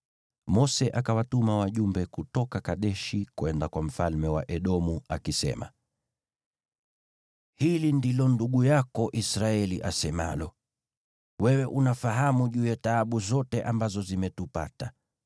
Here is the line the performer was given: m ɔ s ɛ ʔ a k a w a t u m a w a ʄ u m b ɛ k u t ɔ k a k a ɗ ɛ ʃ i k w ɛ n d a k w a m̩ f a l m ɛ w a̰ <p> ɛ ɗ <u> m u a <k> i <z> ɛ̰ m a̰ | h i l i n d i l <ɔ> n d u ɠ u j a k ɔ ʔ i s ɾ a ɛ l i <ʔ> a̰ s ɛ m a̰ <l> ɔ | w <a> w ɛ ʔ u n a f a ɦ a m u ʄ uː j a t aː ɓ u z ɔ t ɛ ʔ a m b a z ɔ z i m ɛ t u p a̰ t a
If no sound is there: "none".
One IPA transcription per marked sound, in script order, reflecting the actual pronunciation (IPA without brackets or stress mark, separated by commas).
ʔ, ɔ, k, s, ɔ, ʔ, l, ɛ